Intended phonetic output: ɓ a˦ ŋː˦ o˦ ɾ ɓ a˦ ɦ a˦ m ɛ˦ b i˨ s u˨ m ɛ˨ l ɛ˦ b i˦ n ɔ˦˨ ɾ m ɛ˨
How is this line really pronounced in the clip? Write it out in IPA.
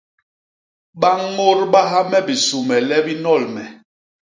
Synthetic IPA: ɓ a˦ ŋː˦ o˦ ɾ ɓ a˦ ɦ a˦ m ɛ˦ b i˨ s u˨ m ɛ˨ l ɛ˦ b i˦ n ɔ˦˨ l m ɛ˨